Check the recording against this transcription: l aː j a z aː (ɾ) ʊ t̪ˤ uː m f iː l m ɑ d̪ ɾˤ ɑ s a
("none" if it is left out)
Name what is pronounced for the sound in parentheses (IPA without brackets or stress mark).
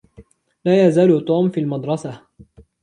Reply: l